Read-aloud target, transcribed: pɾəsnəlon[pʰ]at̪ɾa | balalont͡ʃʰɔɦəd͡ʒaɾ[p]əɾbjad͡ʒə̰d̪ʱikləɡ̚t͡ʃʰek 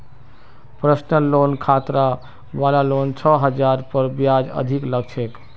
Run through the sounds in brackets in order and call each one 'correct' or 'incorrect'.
incorrect, correct

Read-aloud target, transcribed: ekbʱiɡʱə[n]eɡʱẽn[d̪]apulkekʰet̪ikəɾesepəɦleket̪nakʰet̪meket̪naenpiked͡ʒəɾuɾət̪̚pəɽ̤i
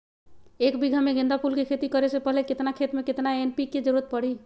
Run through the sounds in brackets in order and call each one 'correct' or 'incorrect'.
incorrect, correct

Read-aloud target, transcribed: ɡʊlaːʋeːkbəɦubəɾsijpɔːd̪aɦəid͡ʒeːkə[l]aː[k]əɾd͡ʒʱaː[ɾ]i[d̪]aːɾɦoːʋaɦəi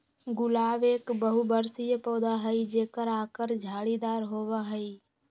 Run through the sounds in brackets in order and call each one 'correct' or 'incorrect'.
incorrect, correct, incorrect, correct

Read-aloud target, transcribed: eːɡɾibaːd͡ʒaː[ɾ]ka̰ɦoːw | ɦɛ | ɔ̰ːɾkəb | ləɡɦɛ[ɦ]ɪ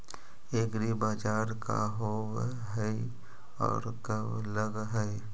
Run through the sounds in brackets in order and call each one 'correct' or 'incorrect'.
correct, incorrect

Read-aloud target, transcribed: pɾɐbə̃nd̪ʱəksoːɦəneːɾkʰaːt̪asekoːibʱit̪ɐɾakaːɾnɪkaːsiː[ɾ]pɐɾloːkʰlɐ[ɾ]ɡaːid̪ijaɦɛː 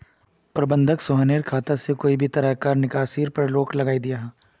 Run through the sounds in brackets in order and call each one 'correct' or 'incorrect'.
correct, incorrect

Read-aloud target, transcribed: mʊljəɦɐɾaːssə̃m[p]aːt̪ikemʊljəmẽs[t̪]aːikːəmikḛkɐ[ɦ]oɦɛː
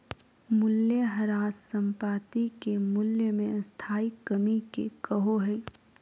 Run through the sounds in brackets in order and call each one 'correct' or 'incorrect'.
correct, incorrect, correct

